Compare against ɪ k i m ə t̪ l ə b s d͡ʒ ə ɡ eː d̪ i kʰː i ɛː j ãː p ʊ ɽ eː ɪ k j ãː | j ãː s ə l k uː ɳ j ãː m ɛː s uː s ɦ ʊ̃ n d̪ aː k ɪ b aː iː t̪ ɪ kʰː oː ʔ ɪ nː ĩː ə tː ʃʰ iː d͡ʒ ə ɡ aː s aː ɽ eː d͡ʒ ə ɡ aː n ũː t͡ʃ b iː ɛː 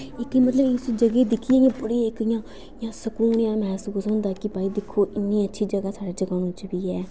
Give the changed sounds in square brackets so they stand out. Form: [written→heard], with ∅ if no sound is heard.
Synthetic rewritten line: ɪ k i m ə t̪ l ə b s d͡ʒ ə ɡ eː d̪ [i→ɪ] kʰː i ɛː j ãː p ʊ ɽ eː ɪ k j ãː | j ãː s ə [l→∅] k uː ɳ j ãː m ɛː s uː s ɦ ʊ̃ n d̪ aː k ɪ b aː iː [t̪→d̪] ɪ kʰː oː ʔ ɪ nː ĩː ə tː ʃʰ iː d͡ʒ ə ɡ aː s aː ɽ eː d͡ʒ ə ɡ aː n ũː t͡ʃ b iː ɛː